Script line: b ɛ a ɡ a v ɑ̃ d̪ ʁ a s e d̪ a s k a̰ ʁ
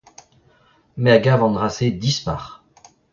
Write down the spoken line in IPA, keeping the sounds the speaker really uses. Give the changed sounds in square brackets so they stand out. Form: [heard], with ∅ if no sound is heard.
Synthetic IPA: [m] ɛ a ɡ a v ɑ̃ d̪ ʁ a s e d̪ [i] s [p] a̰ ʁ